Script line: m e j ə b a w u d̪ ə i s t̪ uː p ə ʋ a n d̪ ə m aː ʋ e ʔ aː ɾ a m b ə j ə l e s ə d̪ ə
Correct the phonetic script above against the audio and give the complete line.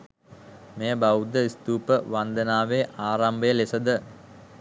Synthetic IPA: m e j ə b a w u d̪ ə i s t̪ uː p ə ʋ a n d̪ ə n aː ʋ e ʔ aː ɾ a m b ə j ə l e s ə d̪ ə